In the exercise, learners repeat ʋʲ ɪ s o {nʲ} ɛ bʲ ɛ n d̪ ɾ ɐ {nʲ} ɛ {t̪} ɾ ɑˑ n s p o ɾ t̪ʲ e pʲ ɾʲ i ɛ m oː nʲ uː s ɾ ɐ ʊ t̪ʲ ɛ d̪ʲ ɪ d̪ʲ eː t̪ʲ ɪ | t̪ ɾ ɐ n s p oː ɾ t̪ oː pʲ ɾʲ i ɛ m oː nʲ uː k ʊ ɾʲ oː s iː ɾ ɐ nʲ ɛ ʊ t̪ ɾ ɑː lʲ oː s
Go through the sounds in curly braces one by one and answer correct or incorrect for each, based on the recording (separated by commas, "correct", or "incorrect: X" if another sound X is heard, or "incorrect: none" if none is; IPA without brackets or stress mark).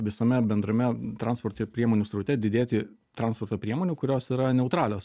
incorrect: mʲ, incorrect: mʲ, correct